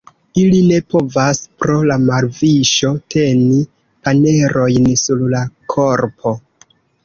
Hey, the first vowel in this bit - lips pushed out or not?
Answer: no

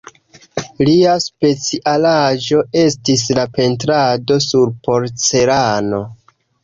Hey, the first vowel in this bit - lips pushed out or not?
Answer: no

